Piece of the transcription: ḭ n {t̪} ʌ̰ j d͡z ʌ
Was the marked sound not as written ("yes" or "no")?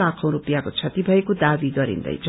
yes